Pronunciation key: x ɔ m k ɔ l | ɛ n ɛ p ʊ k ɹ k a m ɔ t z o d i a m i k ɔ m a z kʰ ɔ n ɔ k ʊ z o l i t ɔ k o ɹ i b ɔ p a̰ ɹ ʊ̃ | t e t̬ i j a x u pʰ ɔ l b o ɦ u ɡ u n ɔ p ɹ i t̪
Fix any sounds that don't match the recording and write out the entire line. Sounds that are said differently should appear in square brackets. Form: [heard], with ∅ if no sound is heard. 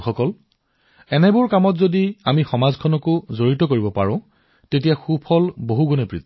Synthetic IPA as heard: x ɔ [∅] k ɔ l | ɛ n ɛ [b] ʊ [∅] ɹ k a m ɔ t z o d i a m i [x] ɔ m a z kʰ ɔ n ɔ k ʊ z o [ɹ] i t ɔ k o ɹ i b ɔ p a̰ ɹ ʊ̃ | t e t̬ i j a x u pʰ ɔ l b o ɦ u ɡ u n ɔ p ɹ i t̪